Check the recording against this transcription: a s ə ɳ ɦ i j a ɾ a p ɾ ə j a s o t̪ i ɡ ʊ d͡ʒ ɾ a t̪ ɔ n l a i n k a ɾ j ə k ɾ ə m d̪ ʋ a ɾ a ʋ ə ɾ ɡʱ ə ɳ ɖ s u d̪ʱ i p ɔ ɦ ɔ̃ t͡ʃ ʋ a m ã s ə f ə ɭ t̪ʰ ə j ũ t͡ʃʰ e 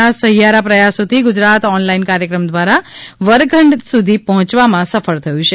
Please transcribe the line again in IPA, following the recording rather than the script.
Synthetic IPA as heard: a s ə ɦ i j a ɾ a p ɾ ə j a s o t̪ i ɡ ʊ d͡ʒ ɾ a t̪ ɔ n l a i n k a ɾ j ə k ɾ ə m d̪ ʋ a ɾ a ʋ ə ɾ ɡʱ ə ɳ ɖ s u d̪ʱ i p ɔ ɦ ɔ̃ t͡ʃ ʋ a m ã s ə f ə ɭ t̪ʰ ə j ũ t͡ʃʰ e